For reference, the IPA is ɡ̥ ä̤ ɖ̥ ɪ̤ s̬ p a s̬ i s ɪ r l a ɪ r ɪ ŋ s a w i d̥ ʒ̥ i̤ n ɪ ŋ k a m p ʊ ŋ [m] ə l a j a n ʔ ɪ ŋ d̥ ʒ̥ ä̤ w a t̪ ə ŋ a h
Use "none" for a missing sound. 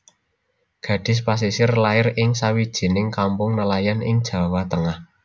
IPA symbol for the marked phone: n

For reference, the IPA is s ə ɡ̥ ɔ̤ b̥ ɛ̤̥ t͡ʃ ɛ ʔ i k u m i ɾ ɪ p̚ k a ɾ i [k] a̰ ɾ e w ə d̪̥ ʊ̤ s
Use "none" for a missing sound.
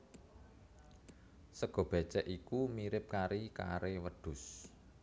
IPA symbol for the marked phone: k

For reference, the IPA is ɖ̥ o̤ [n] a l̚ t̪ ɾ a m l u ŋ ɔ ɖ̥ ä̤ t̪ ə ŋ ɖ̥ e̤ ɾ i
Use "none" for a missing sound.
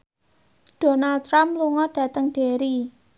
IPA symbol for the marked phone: n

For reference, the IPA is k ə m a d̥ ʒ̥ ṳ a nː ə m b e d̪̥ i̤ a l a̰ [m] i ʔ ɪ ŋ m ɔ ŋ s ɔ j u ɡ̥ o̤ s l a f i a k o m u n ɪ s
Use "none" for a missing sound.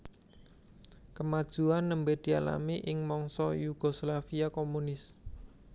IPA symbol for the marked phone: m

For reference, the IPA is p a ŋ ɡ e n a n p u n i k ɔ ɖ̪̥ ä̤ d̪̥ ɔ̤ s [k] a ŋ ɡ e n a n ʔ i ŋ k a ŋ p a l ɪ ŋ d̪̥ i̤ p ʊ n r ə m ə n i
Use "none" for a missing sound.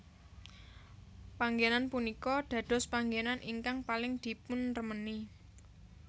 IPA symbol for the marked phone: p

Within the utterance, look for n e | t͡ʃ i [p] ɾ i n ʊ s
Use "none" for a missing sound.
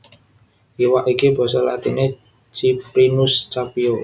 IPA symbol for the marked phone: p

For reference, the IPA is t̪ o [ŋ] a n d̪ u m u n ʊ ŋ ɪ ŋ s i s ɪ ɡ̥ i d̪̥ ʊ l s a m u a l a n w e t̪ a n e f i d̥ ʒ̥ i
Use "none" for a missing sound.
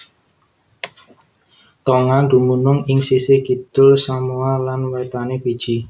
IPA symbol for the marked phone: ŋ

